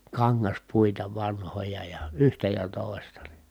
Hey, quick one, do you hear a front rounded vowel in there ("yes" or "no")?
yes